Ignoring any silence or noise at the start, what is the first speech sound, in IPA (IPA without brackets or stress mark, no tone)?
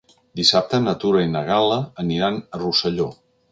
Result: d̪